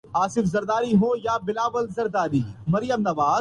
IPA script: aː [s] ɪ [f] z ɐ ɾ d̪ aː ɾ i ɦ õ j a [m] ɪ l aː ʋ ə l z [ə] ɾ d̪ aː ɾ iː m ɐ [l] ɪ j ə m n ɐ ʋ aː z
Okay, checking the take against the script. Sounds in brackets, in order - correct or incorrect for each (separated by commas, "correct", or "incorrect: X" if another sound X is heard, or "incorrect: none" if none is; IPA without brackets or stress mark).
correct, correct, incorrect: b, incorrect: ɐ, incorrect: ɾ